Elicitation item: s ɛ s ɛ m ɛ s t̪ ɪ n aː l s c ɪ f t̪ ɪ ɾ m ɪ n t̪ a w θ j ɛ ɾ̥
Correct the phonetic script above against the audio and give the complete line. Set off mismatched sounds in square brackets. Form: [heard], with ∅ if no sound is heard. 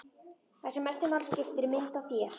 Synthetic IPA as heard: [θ] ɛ s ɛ m ɛ s t̪ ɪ [m] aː l s c ɪ f t̪ ɪ ɾ m ɪ n t̪ a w θ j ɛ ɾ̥